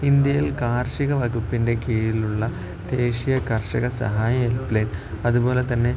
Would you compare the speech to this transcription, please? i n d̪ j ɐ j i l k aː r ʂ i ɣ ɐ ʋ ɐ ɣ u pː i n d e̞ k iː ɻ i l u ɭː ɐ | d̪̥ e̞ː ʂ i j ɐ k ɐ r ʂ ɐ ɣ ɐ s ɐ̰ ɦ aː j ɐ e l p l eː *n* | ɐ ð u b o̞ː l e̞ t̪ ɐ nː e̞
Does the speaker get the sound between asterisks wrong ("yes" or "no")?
no